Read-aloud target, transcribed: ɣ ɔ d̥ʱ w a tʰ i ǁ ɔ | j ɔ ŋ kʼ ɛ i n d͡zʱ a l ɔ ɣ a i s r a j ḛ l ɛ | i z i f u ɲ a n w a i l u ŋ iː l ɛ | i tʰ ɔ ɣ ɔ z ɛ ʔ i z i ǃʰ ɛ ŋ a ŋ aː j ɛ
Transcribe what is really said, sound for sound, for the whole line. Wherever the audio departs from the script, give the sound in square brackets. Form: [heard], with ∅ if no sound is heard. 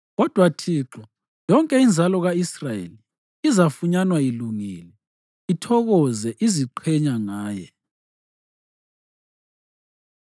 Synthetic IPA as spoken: ɣ ɔ d̥ʱ w a tʰ i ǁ ɔ | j ɔ ŋ kʼ ɛ i n d͡zʱ a l ɔ ɣ a i s r a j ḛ l [i] | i z [a] f u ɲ a n w a i l u ŋ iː l ɛ | i tʰ ɔ ɣ ɔ z ɛ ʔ i z i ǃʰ ɛ [ɲ] a ŋ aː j ɛ